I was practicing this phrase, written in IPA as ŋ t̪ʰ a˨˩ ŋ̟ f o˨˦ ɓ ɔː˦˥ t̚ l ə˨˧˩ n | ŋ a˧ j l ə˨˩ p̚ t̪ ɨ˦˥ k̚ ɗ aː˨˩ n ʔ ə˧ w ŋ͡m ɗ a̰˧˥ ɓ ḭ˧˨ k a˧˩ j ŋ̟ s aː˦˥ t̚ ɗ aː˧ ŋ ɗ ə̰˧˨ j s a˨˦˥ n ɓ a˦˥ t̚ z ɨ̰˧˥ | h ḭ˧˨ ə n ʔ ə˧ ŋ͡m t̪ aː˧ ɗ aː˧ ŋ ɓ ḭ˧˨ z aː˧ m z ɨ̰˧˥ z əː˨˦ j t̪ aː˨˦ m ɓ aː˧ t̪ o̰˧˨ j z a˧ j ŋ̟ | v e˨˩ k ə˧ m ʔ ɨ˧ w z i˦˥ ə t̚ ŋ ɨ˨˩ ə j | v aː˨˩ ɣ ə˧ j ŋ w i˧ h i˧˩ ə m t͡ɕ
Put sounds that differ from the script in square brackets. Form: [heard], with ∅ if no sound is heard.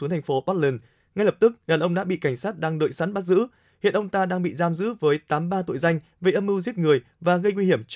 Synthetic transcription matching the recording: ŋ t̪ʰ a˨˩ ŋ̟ f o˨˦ ɓ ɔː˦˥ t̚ l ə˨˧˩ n | ŋ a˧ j l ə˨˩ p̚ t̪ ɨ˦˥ k̚ ɗ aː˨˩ n ʔ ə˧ w ŋ͡m ɗ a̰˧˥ ɓ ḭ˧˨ k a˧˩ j ŋ̟ s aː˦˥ t̚ ɗ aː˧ ŋ ɗ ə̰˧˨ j s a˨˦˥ n ɓ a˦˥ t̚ z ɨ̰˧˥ | h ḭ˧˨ ə n ʔ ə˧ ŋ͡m t̪ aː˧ ɗ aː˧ ŋ ɓ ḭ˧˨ z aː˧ m z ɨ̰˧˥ [v] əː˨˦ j t̪ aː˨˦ m ɓ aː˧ t̪ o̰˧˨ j z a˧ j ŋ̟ | v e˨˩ [ʔ] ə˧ m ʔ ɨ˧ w z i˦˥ ə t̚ ŋ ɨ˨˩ ə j | v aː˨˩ ɣ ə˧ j ŋ w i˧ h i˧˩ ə m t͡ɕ